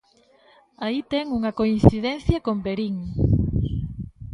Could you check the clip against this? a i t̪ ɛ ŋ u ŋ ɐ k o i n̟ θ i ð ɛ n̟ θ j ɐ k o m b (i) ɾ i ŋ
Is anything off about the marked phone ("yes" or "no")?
yes